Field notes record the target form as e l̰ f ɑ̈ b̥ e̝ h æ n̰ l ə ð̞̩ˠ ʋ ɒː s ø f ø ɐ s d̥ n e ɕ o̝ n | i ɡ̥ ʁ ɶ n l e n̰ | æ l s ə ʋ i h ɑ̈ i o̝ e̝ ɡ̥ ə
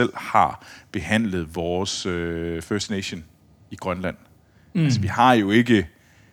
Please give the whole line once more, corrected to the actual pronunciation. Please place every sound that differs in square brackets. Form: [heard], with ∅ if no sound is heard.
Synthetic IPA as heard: e l̰ [h] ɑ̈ b̥ e̝ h æ n̰ l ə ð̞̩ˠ ʋ ɒː s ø f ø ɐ s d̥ n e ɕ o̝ n | i ɡ̥ ʁ ɶ n l [æ] n̰ | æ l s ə ʋ i h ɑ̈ [j] o̝ e̝ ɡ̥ ə